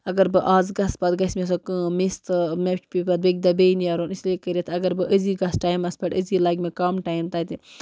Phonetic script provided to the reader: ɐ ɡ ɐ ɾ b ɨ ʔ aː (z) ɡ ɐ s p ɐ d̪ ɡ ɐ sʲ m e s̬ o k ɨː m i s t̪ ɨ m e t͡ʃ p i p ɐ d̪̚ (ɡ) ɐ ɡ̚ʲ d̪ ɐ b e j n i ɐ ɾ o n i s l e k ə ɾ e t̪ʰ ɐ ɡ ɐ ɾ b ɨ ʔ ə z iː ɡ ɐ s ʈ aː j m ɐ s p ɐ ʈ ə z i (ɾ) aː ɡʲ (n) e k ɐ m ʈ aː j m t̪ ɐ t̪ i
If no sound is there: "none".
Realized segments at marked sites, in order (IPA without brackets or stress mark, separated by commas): z, b, l, m